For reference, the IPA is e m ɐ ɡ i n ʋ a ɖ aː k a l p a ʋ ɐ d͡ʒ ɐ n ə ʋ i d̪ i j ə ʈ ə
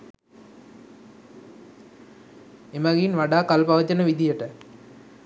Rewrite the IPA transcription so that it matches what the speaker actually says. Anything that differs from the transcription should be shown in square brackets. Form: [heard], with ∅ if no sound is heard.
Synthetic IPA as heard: e m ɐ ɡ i n ʋ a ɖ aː k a l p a ʋ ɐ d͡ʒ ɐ n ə ʋ i d̪ i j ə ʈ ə